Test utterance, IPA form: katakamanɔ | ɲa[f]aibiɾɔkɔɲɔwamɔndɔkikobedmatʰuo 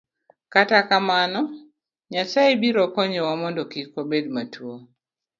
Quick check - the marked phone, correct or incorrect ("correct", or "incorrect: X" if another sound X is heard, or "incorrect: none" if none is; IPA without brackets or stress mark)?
incorrect: s